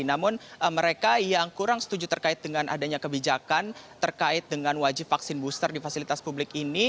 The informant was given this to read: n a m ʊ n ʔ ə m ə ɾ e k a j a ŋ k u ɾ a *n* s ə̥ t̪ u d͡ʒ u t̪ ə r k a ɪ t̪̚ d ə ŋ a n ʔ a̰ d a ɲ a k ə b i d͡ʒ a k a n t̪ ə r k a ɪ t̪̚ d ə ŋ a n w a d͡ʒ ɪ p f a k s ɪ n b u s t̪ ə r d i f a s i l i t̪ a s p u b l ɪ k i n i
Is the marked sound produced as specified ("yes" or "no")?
no